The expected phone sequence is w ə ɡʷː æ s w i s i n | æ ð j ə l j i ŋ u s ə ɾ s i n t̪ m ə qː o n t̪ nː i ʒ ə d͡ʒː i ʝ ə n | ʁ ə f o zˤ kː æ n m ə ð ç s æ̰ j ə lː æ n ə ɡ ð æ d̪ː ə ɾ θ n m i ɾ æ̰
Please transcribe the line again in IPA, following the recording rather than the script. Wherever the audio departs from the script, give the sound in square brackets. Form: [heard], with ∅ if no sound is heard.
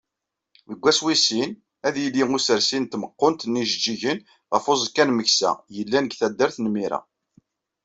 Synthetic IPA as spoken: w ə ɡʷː æ s w i s i n | æ ð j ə l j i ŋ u s ə ɾ s i n t̪ m ə qː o n t̪ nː i ʒ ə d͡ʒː i ʝ ə n | ʁ ə f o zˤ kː æ n m ə [∅] ç s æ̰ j ə lː æ n ə ɡ [θ] æ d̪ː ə ɾ θ n m i ɾ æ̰